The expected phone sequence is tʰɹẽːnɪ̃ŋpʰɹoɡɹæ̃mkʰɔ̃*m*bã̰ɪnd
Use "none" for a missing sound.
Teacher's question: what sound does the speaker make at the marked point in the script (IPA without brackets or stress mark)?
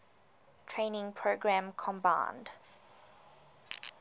m